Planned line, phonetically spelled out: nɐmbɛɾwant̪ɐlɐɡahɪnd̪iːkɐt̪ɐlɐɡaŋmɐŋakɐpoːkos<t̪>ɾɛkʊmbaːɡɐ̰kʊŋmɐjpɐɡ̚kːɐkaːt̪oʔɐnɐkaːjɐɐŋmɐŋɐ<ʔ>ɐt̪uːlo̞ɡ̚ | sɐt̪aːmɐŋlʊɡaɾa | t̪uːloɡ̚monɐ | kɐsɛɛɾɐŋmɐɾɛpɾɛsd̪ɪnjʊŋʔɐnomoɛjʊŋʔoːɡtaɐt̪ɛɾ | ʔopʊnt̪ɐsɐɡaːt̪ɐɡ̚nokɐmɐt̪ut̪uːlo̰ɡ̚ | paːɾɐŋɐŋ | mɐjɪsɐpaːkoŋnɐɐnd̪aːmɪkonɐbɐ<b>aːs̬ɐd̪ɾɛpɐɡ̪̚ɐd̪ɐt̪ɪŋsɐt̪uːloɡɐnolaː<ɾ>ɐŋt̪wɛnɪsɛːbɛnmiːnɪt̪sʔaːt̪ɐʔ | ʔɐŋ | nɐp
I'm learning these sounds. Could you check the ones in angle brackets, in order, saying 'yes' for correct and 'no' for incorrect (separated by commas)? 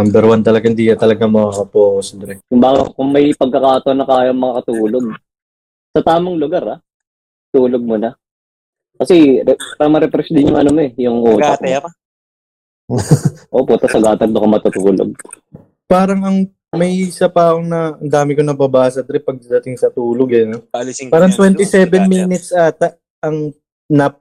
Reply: no, no, yes, yes